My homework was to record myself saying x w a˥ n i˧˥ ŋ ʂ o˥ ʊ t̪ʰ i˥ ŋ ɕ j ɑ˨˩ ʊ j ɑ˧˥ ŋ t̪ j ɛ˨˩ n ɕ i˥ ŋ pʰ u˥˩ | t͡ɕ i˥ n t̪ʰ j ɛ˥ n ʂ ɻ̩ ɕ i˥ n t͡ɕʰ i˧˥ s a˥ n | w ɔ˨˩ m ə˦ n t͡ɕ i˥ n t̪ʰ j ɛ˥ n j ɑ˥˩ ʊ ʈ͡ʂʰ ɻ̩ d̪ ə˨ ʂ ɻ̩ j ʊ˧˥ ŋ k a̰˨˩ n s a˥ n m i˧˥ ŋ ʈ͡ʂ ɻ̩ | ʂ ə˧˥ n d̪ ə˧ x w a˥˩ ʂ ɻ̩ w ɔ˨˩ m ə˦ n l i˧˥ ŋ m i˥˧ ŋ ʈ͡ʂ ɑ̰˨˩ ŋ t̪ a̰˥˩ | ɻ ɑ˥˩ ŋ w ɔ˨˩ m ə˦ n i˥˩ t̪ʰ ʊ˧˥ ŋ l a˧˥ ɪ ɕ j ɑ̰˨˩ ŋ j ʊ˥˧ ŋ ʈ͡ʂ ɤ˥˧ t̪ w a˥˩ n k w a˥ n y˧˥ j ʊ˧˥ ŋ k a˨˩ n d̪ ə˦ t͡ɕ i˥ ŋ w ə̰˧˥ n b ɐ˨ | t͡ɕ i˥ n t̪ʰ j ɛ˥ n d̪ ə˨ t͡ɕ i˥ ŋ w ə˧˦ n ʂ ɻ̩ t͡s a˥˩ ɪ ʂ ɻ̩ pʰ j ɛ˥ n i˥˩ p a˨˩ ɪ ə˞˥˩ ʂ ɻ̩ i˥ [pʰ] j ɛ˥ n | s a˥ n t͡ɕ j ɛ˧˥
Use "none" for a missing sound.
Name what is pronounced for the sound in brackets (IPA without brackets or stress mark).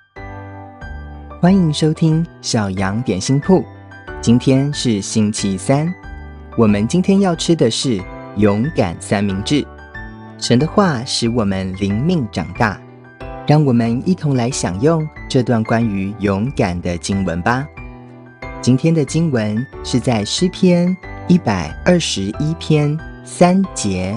pʰ